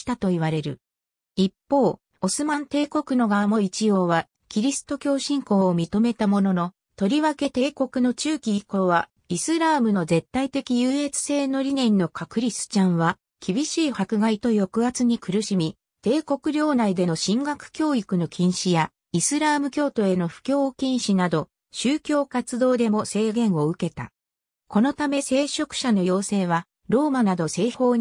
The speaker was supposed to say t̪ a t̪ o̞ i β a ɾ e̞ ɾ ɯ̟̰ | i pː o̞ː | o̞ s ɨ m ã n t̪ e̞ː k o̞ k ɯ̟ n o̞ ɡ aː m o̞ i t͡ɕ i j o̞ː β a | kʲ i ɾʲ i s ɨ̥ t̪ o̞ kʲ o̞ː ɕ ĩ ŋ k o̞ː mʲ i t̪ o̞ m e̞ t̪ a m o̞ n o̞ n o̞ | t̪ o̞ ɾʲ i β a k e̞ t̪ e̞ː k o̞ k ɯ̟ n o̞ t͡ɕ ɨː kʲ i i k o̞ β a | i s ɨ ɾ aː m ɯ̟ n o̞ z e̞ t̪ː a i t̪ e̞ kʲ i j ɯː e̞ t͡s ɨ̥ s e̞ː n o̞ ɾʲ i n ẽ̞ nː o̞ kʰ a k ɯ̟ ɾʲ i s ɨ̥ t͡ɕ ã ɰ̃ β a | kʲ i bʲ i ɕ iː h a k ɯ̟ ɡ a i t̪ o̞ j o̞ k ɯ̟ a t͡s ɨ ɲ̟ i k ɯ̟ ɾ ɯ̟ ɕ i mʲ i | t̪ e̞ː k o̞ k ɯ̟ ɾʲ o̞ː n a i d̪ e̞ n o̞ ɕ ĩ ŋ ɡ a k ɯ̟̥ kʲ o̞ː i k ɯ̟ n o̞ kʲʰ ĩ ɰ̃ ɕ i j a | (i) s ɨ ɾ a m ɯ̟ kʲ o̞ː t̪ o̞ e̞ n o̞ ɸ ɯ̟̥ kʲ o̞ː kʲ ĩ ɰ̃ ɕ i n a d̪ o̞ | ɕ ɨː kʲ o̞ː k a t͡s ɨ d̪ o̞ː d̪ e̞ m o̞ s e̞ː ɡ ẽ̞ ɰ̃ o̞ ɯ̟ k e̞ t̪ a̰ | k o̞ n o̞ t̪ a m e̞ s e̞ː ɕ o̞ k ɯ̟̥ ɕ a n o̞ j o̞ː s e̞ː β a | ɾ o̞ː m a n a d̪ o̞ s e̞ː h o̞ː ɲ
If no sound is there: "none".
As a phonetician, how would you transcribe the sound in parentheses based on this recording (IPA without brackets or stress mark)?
i